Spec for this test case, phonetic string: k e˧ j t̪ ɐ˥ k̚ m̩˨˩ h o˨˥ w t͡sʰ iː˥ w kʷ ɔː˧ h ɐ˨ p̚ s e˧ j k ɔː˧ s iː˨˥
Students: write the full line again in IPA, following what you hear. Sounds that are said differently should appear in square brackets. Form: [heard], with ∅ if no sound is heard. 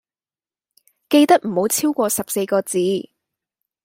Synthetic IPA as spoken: k e˧ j t̪ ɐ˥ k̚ m̩˨˩ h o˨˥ w t͡sʰ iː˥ w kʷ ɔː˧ [s] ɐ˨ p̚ s e˧ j k ɔː˧ [t͡s] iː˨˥